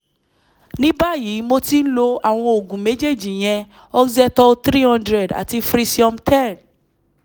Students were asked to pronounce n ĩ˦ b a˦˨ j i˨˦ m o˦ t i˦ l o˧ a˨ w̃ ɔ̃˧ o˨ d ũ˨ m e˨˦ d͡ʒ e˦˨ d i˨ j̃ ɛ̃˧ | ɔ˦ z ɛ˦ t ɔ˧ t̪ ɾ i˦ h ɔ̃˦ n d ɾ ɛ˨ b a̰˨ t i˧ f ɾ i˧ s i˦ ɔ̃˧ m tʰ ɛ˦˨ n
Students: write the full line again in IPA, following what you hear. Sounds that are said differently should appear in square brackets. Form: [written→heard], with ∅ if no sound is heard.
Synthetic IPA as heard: n ĩ˦ b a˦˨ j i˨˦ m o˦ t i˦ l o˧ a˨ w̃ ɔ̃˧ o˨ [d→ɡ] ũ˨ m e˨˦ d͡ʒ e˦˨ [d→d͡ʒ] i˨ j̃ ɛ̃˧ | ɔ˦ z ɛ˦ t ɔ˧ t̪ ɾ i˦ h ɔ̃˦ n d ɾ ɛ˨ [b→d] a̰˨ t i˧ f ɾ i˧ s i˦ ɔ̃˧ m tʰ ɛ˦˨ n

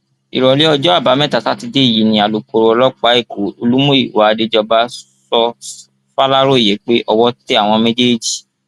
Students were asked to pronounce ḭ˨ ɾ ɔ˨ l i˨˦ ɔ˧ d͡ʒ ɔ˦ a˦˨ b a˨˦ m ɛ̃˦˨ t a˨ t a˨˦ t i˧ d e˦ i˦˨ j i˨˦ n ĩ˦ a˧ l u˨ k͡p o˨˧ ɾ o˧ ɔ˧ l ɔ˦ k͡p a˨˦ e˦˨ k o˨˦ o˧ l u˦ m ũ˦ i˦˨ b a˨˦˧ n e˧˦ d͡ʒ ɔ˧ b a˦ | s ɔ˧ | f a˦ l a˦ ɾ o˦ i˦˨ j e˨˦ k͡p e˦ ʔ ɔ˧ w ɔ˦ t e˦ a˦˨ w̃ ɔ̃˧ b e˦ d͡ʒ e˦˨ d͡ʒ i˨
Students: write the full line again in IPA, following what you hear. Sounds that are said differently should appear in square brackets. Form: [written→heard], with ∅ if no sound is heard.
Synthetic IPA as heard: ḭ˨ ɾ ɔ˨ l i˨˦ ɔ˧ d͡ʒ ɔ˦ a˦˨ b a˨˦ m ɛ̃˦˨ t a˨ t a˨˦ t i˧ d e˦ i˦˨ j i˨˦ n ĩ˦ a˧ l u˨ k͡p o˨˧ ɾ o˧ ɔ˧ l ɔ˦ k͡p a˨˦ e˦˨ k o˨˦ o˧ l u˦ m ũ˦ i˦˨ [b→w] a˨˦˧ [n→d] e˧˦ d͡ʒ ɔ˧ b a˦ | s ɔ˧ | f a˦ l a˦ ɾ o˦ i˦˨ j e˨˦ k͡p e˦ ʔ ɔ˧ w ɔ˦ t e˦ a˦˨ w̃ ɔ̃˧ [b→m] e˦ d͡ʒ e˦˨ d͡ʒ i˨

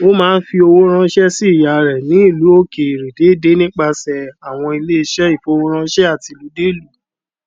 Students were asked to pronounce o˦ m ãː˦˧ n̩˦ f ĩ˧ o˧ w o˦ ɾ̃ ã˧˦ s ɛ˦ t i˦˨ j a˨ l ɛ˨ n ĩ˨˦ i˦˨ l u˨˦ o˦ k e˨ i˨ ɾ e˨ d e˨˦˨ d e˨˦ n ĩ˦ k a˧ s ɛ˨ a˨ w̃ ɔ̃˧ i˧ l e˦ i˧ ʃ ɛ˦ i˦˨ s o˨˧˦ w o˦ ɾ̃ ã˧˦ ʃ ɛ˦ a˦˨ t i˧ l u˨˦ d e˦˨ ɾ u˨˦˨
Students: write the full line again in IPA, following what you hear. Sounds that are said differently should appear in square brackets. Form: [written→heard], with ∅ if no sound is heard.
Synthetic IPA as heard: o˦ m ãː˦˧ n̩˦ f [ĩ˧→i˧] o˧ w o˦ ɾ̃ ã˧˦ [s→ʃ] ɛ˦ [t→s] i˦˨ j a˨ [l→ɾ] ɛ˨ n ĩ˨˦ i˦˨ l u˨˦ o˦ k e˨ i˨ ɾ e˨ d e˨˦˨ d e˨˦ n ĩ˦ [k→k͡p] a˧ s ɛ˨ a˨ w̃ ɔ̃˧ i˧ l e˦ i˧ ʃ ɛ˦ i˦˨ [s→f] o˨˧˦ w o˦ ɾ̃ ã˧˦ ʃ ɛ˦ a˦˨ t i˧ l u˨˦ d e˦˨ [ɾ→l] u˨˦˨

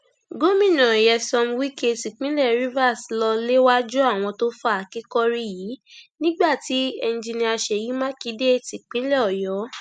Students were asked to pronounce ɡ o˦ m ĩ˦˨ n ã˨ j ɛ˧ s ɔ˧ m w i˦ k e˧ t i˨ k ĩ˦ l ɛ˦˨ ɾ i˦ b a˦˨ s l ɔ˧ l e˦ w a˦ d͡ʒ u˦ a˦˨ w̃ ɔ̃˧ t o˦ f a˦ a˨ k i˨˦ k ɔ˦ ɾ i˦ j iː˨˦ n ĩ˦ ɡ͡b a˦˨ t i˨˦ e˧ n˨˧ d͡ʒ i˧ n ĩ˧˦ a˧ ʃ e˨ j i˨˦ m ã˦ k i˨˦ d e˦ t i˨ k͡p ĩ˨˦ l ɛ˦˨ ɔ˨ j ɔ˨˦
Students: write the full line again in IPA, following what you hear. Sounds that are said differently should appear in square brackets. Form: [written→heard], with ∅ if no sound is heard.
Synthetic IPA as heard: ɡ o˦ m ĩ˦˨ n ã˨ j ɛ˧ s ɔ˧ m w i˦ k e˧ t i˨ [k→k͡p] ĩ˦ l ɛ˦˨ ɾ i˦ [b→v] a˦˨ s l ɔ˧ l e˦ w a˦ d͡ʒ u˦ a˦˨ w̃ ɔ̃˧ t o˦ f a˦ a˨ k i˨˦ k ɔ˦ ɾ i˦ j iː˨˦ n ĩ˦ ɡ͡b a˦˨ t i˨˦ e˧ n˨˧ d͡ʒ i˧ n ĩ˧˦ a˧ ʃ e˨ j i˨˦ m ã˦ k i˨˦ d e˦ t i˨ k͡p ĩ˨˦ l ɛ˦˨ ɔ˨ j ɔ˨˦

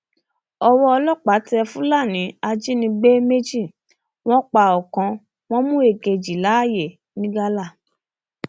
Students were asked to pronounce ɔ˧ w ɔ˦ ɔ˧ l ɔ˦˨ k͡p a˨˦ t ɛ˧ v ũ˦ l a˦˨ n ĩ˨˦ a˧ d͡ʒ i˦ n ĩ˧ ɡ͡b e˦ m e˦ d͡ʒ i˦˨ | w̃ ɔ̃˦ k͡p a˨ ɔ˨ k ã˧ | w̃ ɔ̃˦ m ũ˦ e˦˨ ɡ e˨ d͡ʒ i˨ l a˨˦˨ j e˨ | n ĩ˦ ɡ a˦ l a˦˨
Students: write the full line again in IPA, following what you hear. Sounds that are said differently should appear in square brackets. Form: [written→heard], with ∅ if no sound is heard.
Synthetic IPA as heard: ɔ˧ w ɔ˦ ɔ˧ l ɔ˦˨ k͡p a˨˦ t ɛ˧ [v→f] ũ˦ l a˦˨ n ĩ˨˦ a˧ d͡ʒ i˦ n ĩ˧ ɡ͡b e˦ m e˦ d͡ʒ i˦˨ | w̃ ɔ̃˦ k͡p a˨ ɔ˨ k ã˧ | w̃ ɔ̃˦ m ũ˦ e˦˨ ɡ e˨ d͡ʒ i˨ l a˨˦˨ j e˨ | n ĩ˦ ɡ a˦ l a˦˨

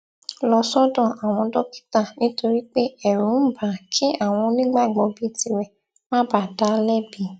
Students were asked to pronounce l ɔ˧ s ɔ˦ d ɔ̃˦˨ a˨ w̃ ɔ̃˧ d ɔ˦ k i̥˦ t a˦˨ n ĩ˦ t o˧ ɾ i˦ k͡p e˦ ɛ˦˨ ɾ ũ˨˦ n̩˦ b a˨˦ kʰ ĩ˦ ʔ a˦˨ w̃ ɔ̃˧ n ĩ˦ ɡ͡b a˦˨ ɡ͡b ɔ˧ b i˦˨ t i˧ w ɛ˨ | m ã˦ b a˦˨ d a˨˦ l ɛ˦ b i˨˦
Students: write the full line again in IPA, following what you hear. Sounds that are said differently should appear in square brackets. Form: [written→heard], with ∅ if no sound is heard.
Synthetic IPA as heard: l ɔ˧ s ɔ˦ d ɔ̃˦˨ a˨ w̃ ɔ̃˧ d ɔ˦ k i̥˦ t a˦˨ n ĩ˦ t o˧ ɾ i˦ k͡p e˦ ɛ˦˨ ɾ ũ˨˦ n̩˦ b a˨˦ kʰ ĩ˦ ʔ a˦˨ w̃ ɔ̃˧ n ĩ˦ ɡ͡b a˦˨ ɡ͡b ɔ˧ b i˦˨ t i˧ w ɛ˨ | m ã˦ b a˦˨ d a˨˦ l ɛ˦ b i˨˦

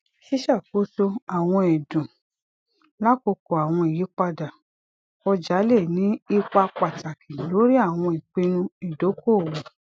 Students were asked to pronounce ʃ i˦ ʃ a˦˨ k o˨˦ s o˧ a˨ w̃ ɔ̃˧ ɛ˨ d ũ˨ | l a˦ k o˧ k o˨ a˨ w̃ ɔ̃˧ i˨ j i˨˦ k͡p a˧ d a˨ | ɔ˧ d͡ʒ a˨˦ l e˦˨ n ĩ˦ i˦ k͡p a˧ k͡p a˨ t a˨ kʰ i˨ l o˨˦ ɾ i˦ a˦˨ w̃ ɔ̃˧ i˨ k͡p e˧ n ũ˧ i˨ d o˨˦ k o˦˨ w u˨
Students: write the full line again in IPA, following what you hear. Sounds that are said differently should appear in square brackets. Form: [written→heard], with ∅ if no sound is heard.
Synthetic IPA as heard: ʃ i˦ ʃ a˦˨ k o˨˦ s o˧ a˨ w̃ ɔ̃˧ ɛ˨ d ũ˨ | l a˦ k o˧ k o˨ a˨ w̃ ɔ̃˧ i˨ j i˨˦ k͡p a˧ d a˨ | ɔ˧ d͡ʒ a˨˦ l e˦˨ n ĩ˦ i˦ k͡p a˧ k͡p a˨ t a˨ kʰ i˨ l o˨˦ ɾ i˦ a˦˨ w̃ ɔ̃˧ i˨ k͡p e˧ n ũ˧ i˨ d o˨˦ k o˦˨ w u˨

